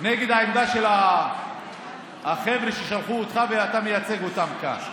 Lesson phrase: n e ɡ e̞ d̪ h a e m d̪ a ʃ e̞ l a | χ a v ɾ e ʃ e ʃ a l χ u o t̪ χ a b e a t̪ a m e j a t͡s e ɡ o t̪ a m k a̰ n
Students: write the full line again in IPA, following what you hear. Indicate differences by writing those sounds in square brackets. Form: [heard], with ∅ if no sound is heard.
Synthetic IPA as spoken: n e ɡ e̞ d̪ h a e m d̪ a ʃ e̞ l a | χ [e] v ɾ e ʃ e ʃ a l χ u o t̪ χ a [v] e a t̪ a m e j a t͡s e ɡ o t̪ a m k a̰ n